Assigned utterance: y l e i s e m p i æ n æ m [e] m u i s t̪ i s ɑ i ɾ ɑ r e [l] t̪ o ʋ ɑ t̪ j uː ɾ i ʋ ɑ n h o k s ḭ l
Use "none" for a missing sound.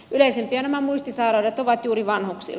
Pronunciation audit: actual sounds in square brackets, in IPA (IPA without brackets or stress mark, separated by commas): æ, none